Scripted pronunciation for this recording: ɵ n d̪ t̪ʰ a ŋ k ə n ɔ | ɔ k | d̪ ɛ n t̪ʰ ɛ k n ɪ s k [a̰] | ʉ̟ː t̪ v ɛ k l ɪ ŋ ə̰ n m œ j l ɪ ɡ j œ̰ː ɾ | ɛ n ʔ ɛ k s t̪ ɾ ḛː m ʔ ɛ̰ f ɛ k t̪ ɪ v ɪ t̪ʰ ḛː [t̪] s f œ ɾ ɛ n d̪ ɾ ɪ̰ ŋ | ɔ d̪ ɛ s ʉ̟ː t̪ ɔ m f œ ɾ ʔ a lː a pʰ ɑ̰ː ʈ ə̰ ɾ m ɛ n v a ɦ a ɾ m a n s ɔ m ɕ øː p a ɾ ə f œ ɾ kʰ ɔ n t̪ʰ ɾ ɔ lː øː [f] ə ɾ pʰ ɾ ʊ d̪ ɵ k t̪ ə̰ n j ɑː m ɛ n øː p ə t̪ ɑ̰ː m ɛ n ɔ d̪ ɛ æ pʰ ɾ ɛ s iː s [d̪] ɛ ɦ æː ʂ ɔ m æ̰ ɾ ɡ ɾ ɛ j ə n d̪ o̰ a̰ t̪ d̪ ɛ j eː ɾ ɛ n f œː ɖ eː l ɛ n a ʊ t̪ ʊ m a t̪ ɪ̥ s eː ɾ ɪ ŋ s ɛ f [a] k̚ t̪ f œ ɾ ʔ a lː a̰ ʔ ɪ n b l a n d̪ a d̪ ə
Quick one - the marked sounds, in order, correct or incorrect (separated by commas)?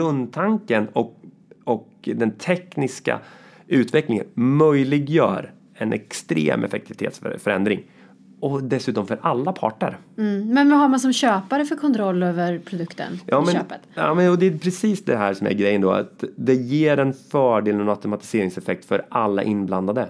correct, correct, incorrect, correct, incorrect